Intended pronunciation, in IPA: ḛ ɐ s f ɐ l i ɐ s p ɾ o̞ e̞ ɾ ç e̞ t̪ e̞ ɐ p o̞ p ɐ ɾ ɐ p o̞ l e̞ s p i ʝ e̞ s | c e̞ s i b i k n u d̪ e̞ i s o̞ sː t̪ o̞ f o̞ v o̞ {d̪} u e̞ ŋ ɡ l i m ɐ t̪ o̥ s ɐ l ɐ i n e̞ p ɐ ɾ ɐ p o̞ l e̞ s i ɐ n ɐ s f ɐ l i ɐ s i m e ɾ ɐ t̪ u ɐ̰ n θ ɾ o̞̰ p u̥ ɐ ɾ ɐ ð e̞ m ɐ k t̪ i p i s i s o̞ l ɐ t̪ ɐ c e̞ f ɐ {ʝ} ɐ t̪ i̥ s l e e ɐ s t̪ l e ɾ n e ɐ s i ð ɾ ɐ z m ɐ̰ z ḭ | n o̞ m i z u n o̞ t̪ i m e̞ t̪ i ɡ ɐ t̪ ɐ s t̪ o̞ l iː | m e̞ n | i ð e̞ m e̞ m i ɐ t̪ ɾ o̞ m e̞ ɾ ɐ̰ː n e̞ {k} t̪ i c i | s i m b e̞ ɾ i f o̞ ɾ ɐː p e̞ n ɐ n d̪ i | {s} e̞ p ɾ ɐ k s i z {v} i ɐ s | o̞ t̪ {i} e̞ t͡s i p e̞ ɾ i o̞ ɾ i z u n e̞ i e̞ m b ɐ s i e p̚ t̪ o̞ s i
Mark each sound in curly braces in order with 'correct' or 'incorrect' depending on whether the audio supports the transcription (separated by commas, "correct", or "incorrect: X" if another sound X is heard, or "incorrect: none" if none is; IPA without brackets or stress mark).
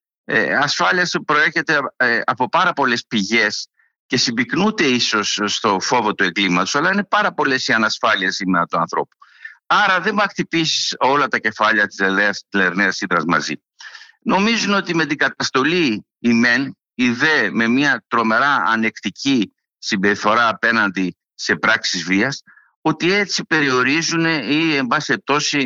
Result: incorrect: t̪, incorrect: ʎ, correct, correct, correct, correct